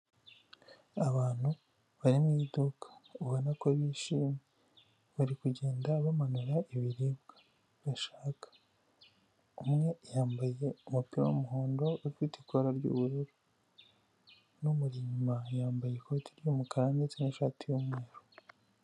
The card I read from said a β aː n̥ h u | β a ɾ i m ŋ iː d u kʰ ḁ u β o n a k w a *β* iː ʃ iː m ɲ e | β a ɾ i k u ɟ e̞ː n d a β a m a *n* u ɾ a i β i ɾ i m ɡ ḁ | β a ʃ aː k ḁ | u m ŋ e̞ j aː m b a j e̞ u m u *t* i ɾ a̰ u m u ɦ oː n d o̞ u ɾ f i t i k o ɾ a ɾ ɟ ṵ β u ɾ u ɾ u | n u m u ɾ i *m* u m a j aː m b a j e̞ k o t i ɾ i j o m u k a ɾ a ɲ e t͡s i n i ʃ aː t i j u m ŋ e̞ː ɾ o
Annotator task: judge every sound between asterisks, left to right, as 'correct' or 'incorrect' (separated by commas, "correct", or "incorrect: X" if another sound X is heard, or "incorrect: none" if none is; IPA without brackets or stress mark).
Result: correct, correct, incorrect: p, incorrect: ɲ